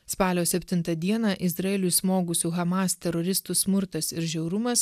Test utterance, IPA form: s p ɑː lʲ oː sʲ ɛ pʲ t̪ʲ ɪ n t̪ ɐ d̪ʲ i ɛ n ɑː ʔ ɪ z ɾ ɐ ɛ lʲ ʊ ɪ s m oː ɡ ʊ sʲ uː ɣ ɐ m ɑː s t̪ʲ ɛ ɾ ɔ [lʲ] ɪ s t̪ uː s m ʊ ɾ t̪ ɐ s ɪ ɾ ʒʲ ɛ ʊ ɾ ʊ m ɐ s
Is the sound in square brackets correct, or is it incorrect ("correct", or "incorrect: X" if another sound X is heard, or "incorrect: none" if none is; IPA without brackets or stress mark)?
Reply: incorrect: ɾʲ